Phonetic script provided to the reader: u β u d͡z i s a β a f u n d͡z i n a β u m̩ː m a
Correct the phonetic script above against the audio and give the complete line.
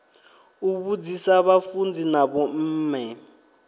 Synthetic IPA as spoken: u β u d͡z i s a β a f u n d͡z i n a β ɔ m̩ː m ɛ